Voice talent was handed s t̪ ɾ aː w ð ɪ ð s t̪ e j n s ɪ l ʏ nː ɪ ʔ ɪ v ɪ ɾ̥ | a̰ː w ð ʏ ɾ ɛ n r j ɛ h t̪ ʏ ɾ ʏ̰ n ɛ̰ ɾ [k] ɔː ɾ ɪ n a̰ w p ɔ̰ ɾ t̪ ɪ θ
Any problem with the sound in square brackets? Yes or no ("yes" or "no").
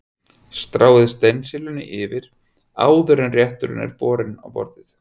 yes